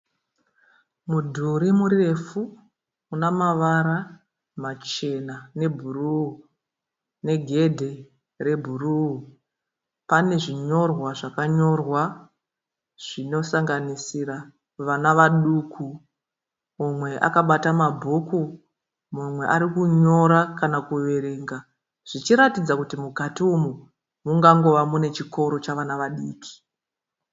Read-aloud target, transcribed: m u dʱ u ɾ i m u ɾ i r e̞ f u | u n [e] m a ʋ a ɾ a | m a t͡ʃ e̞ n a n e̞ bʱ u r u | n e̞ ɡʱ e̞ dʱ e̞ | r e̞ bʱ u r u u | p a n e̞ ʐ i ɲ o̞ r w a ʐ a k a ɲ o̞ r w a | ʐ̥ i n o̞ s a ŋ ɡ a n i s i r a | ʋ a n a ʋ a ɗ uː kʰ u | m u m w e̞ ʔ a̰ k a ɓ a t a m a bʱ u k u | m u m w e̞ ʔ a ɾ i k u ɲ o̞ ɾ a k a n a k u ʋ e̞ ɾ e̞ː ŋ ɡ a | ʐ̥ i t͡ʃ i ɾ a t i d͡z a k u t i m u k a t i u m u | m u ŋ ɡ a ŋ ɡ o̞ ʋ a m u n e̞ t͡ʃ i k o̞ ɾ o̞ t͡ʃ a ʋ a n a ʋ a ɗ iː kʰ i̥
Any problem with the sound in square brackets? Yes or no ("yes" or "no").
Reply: yes